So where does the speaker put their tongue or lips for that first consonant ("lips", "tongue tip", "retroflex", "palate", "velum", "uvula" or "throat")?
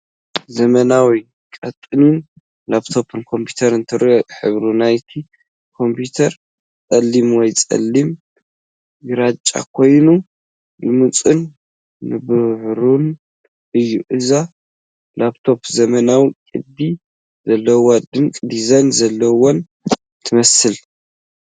tongue tip